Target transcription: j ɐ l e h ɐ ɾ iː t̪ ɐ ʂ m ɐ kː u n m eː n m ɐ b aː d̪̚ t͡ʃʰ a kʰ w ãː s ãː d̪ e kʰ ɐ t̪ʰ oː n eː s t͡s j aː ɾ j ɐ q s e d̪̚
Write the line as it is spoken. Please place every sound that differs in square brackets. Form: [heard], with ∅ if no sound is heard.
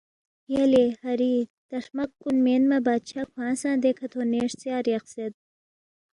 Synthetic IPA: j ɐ l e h ɐ ɾ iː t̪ ɐ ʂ m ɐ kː u n m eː n m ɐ b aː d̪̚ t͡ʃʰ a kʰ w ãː s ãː d̪ e kʰ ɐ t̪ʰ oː n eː [ʂ] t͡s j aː ɾ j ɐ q s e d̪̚